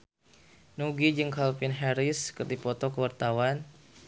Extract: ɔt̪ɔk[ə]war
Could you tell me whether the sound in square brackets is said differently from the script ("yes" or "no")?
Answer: no